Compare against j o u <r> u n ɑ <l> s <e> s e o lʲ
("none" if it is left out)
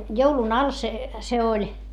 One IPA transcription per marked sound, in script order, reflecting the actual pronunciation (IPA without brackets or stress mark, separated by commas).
l, l, e